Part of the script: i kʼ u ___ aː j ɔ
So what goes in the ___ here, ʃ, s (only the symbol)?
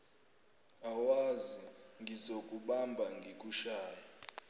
ʃ